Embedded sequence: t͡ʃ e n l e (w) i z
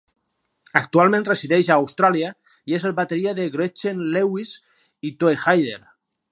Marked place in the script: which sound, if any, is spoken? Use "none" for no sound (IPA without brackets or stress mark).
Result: w